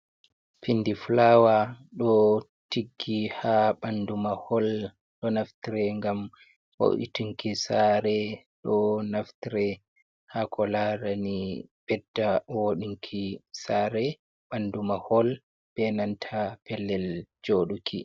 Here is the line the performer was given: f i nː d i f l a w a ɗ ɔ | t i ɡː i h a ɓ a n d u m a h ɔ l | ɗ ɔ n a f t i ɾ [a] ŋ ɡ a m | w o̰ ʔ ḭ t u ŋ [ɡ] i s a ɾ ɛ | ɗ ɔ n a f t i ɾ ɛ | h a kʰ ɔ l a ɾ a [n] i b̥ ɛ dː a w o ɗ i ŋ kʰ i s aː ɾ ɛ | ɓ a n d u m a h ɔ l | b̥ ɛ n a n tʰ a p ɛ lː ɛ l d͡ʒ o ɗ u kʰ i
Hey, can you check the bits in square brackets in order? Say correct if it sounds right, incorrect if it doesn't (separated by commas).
incorrect, incorrect, correct